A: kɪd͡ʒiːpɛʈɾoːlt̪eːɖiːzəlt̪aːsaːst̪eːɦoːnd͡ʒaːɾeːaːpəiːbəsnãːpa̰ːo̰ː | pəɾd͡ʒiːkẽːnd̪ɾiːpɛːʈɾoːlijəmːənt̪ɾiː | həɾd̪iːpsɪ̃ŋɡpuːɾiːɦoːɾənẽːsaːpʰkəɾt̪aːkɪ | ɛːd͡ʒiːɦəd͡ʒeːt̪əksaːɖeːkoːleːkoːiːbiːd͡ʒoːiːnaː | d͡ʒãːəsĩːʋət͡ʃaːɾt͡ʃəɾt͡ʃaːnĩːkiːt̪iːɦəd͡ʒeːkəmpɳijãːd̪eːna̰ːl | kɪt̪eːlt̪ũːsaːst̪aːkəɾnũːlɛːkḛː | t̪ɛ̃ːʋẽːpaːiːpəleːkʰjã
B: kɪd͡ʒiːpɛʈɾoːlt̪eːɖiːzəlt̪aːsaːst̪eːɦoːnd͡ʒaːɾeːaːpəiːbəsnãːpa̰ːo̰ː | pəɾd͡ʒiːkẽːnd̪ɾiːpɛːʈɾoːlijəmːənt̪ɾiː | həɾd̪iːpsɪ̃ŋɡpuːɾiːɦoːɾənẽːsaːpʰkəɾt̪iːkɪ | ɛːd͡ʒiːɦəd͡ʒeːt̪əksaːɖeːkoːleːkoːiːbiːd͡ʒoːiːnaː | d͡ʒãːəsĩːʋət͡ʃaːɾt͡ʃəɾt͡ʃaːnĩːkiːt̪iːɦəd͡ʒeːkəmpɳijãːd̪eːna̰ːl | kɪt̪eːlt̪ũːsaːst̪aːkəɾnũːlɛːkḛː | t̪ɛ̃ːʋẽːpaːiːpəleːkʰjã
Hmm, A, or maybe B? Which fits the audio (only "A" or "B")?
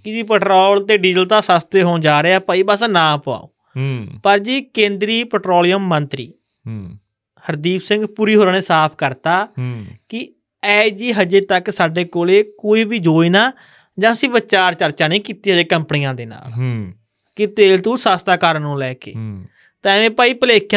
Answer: A